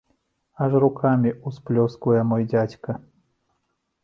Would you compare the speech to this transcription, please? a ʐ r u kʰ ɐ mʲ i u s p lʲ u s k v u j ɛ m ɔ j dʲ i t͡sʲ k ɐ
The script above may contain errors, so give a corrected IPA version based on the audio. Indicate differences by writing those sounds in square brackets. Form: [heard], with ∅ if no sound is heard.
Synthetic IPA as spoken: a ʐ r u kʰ [a] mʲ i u s p lʲ [ɔ] s k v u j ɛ m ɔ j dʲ [a] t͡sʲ k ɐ